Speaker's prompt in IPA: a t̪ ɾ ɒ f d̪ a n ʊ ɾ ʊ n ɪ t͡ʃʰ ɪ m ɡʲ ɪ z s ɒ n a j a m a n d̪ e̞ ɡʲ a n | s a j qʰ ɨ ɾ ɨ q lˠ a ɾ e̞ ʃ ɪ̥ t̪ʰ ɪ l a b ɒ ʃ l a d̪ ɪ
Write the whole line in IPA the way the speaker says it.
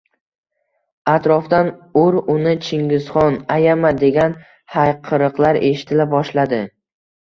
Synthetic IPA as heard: a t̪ ɾ ɒ f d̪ a n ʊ ɾ ʊ n ɪ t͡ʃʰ ɪ ŋ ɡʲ ɪ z χ ɒ n a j a m a d̪ e̞ ɡʲ a n | h a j qʰ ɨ ɾ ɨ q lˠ a ɾ e̞ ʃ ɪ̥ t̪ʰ ɪ l a b ɒ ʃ l a d̪ ɪ